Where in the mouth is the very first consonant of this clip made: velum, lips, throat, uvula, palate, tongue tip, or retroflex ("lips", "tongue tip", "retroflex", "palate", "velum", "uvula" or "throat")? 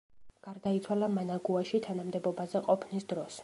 velum